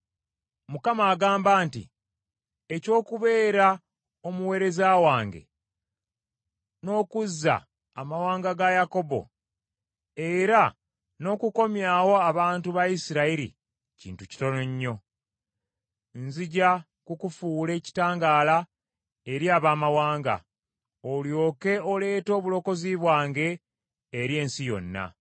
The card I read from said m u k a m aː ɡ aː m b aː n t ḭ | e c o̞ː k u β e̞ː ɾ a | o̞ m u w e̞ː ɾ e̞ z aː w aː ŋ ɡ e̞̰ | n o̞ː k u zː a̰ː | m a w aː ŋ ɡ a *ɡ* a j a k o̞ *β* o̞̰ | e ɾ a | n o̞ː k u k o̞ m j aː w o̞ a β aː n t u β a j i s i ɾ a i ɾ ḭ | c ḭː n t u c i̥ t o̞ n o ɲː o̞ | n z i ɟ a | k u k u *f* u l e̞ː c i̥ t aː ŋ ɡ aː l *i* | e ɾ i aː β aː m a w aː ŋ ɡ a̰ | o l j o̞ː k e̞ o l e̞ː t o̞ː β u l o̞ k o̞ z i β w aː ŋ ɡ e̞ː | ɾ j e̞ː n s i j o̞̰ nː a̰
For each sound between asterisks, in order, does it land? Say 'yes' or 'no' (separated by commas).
yes, no, yes, no